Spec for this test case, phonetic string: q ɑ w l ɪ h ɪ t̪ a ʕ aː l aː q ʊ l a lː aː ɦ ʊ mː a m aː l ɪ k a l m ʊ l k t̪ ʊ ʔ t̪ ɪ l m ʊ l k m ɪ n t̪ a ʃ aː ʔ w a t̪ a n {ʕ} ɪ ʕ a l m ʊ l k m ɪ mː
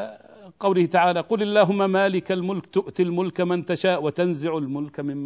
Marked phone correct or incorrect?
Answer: incorrect